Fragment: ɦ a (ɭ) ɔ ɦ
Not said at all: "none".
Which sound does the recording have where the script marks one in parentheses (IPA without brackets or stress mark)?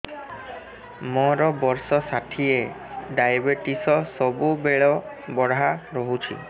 ɾ